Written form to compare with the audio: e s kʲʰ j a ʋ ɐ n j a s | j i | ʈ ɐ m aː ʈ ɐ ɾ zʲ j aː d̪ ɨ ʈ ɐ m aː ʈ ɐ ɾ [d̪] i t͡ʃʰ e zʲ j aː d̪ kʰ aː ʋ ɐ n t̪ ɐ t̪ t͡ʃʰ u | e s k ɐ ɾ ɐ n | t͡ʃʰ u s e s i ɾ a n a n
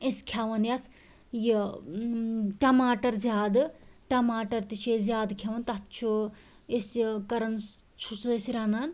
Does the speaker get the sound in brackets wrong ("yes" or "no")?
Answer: yes